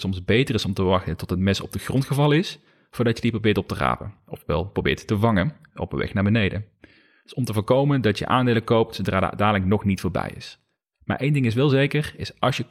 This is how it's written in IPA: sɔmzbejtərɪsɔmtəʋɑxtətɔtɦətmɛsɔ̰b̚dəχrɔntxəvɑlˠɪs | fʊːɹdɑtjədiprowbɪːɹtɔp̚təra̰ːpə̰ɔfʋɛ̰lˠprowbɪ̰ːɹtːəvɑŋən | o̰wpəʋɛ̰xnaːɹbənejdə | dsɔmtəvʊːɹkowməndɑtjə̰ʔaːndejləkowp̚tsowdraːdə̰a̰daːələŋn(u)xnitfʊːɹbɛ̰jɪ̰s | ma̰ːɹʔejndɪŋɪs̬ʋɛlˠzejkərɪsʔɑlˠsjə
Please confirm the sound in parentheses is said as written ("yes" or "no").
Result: no